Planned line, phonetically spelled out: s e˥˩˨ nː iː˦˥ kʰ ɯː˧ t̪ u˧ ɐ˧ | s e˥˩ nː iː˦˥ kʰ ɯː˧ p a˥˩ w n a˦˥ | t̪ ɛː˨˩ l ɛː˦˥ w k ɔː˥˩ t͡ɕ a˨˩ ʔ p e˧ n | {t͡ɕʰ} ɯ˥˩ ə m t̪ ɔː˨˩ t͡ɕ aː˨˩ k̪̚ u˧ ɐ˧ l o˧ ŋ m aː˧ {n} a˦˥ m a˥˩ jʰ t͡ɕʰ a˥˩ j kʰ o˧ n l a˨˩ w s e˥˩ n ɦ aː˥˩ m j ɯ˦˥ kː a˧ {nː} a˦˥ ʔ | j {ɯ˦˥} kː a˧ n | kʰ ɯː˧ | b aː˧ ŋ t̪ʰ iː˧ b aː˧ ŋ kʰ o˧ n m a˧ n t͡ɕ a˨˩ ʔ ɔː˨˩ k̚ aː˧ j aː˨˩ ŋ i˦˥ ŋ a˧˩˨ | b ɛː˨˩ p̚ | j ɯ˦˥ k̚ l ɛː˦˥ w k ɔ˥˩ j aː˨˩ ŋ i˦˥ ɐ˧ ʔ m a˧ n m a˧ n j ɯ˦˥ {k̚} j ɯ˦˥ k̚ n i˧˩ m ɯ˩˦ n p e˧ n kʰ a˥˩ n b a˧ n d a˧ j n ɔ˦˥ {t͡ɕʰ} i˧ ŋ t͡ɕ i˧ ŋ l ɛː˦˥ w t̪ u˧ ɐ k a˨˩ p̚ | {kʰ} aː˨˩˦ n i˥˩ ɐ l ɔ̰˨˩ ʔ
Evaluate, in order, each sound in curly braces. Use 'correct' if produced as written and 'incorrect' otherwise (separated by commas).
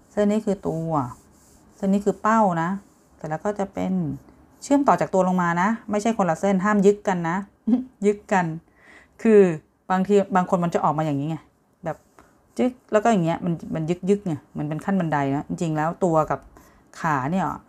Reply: correct, correct, correct, correct, correct, incorrect, correct